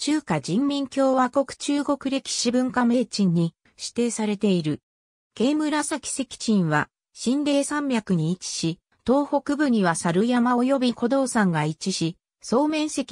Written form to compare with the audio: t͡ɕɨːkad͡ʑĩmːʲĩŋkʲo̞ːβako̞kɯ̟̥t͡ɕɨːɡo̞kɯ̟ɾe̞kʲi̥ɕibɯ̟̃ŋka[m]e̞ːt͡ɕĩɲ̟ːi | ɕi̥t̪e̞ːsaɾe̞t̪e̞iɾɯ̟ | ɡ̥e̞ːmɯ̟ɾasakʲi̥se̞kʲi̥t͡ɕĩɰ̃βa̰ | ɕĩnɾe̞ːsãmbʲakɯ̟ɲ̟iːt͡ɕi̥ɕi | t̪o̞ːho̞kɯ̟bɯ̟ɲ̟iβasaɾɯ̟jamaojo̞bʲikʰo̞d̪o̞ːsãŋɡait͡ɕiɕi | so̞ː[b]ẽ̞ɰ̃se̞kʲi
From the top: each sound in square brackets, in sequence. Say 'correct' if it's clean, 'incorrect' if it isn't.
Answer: correct, incorrect

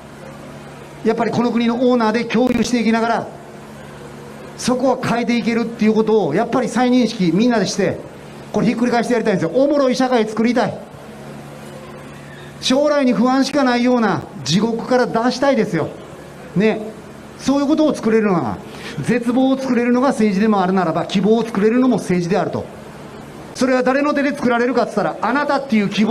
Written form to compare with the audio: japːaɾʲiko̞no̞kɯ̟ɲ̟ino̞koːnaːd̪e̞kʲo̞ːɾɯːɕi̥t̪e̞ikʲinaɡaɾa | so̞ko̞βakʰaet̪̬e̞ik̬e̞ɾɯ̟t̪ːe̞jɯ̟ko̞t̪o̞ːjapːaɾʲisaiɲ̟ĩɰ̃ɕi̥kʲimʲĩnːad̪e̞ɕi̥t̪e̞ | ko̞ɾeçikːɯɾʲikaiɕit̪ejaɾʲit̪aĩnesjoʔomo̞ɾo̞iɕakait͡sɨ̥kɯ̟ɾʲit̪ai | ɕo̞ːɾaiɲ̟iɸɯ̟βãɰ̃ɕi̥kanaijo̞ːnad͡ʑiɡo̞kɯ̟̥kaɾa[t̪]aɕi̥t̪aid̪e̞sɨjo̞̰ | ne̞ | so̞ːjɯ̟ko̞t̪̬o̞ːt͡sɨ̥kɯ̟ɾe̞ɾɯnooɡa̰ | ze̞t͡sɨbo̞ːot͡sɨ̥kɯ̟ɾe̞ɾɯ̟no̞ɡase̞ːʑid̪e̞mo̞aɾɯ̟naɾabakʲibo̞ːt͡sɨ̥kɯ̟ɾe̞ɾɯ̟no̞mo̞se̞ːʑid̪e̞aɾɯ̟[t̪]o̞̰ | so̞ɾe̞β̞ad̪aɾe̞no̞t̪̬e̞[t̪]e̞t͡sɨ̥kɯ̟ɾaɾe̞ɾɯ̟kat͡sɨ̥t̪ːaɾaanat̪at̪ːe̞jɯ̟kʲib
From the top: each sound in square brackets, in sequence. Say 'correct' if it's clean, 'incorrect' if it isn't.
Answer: incorrect, correct, incorrect

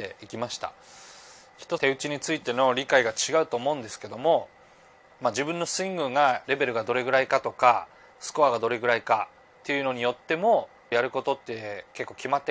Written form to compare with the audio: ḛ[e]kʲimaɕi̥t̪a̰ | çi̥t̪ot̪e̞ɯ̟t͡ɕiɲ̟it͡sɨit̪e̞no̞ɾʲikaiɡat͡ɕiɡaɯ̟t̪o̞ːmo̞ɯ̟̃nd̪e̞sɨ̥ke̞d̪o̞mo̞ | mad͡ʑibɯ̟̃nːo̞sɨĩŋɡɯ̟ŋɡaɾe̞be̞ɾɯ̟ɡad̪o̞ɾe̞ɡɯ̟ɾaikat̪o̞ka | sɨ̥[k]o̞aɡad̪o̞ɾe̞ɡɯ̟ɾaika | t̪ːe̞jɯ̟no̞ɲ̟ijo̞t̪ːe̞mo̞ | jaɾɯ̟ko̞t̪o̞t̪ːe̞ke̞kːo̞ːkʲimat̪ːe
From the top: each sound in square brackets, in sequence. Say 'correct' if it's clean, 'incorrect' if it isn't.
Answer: incorrect, correct

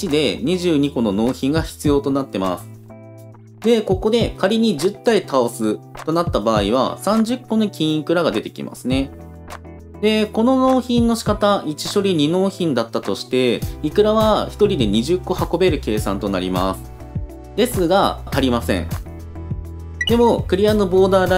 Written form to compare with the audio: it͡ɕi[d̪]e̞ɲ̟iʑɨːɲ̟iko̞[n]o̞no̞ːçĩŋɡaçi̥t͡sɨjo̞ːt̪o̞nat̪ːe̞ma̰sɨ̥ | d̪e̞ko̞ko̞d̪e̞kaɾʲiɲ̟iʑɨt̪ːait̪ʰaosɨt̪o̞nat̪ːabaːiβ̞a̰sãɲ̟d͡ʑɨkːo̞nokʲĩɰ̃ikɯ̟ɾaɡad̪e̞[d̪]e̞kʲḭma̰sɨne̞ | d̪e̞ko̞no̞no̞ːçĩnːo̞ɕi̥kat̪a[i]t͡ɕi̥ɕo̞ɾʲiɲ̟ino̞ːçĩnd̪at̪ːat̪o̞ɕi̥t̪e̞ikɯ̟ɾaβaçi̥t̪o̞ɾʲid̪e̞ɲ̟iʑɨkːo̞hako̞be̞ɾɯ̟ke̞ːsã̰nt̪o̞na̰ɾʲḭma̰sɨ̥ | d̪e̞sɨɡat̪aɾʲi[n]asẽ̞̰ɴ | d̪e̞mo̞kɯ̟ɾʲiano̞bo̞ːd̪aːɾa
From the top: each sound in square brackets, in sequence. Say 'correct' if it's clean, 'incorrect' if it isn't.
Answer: correct, correct, incorrect, correct, incorrect

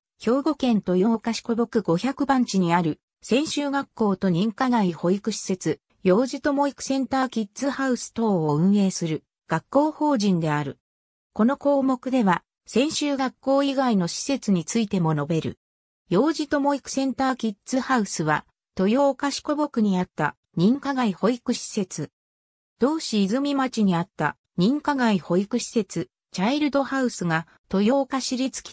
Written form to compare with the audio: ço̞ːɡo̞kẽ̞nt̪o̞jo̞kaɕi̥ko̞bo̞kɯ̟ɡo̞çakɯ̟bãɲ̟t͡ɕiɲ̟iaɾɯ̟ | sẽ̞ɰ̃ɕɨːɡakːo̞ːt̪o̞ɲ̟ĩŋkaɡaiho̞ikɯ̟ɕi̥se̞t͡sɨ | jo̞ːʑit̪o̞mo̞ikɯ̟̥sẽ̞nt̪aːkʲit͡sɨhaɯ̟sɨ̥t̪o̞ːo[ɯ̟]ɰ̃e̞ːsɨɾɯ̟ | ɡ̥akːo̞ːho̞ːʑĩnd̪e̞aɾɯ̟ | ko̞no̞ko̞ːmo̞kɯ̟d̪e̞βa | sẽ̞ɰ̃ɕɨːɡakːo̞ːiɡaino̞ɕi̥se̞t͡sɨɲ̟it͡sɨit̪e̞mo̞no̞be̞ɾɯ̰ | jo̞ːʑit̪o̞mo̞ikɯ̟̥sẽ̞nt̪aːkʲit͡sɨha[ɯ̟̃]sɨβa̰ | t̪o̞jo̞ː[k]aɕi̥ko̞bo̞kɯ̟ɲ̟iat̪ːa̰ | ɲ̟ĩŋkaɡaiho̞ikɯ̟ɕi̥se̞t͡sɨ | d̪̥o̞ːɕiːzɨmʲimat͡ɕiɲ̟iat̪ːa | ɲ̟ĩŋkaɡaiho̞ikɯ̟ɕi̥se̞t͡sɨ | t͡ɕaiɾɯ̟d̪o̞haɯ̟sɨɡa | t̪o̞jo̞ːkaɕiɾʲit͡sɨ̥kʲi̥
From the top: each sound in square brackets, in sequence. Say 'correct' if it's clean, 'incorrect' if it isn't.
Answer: incorrect, incorrect, correct

